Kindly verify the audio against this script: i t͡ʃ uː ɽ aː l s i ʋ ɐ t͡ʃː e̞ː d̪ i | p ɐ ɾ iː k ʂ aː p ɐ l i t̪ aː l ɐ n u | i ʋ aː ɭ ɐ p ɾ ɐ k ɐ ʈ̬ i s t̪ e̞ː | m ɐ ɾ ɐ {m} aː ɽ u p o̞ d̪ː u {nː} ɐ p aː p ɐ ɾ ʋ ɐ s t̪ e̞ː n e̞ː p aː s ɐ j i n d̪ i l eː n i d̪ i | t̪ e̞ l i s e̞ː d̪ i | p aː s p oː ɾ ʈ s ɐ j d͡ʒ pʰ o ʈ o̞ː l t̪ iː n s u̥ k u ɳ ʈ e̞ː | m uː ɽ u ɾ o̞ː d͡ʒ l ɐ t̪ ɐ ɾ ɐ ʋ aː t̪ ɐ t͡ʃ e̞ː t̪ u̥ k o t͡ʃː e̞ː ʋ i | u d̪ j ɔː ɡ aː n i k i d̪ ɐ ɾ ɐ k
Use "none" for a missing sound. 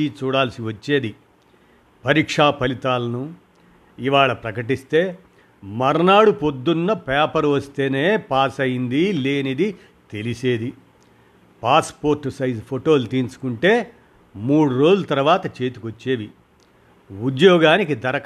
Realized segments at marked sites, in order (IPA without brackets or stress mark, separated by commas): n, nː